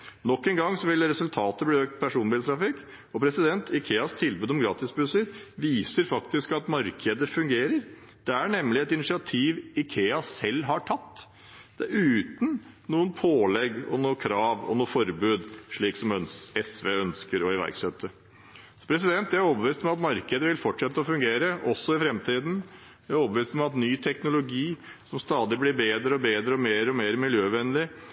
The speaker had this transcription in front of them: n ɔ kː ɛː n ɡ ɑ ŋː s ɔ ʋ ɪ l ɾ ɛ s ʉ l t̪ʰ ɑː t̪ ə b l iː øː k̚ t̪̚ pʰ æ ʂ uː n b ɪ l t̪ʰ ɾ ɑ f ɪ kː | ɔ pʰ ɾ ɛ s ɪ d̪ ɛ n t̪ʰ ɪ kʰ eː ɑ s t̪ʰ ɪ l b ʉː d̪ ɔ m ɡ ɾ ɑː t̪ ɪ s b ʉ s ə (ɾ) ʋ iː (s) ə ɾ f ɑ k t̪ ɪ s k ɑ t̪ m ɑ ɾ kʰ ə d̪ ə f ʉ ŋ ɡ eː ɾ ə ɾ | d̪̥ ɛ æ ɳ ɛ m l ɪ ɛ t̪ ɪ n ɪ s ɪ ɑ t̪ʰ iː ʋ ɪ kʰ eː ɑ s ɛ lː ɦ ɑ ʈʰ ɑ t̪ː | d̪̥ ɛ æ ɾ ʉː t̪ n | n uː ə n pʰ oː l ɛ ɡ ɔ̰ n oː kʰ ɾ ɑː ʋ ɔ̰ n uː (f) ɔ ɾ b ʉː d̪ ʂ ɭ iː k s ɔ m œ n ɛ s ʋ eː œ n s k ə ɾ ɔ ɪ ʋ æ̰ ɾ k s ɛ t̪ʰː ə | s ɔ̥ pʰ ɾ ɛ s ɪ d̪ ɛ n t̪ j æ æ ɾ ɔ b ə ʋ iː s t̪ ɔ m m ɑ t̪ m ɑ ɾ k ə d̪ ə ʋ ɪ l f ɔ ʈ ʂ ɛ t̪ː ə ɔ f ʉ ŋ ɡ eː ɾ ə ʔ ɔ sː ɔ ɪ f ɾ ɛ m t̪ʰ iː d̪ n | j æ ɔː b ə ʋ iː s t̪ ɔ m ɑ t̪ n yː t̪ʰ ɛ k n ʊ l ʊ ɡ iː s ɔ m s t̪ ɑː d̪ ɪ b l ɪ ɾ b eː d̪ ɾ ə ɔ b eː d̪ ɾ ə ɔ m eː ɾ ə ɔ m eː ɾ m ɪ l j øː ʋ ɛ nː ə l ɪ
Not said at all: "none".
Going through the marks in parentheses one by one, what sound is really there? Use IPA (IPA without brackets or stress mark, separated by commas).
ɾ, s, f